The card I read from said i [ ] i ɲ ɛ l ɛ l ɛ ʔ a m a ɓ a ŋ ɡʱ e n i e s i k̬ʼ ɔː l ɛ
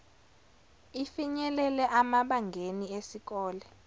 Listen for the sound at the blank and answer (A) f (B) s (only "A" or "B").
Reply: A